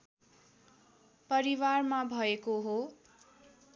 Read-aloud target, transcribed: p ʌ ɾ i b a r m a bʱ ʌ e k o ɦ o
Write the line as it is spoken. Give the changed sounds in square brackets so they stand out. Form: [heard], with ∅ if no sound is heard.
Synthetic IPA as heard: p ʌ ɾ i [w] a r m a bʱ ʌ e k o ɦ o

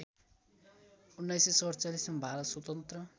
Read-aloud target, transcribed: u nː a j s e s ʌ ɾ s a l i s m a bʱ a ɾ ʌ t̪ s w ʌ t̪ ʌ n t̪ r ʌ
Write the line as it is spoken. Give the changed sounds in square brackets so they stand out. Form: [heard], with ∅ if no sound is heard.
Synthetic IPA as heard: u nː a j s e s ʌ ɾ [t͡s] a l i s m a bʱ a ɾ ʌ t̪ s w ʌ t̪ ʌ n t̪ r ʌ

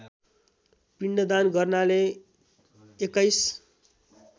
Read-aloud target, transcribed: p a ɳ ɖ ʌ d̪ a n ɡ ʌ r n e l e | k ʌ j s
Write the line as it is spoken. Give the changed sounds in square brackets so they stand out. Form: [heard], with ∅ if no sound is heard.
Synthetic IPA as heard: p [i] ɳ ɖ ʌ d̪ a n ɡ ʌ r n [a] l e | k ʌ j s

